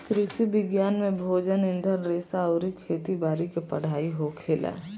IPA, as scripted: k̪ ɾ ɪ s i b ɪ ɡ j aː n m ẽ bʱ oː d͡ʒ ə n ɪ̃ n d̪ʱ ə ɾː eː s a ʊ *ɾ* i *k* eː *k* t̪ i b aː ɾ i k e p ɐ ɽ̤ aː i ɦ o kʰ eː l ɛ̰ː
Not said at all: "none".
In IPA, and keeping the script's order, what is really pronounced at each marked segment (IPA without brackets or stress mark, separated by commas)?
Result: ɾ, kʰ, none